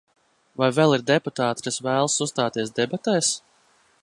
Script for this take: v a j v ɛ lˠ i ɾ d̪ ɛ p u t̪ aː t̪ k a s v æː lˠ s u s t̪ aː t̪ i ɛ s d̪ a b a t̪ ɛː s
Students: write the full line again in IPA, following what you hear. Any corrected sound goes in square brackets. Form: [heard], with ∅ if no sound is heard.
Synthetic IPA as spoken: v a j v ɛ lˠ i ɾ d̪ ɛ p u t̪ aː t̪ k a s v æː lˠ s u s t̪ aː t̪ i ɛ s d̪ [ɛ] b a t̪ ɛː s